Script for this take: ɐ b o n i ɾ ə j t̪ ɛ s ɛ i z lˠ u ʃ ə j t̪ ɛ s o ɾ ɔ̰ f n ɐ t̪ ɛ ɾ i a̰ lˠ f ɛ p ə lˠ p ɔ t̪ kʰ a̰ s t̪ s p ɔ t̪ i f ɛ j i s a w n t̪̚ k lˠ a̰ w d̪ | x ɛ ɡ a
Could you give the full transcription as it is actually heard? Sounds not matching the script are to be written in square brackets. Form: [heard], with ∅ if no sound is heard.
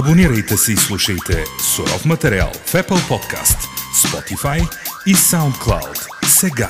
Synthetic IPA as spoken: ɐ b o n i ɾ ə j t̪ ɛ s ɛ i [s] lˠ u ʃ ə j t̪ ɛ s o ɾ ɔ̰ f [m] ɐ t̪ ɛ ɾ i a̰ lˠ f ɛ p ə lˠ p ɔ t̪ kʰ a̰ s t̪ s p ɔ t̪ i f [a] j i s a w n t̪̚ k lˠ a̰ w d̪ | [s] ɛ ɡ a